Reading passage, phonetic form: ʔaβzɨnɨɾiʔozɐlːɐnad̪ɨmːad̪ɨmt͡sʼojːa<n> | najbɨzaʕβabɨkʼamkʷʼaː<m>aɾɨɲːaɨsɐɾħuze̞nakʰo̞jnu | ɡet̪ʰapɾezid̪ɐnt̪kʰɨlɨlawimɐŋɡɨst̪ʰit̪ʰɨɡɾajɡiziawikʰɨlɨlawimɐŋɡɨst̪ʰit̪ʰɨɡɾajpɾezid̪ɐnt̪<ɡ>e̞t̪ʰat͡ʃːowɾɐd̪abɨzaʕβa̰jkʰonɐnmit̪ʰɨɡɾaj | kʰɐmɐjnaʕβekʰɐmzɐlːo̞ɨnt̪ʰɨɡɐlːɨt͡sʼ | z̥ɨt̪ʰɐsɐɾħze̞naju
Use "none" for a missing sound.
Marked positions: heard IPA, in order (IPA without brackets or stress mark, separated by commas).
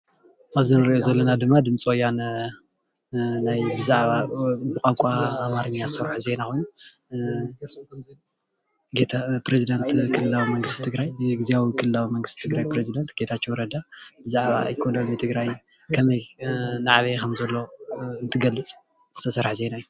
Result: n, m, ɡ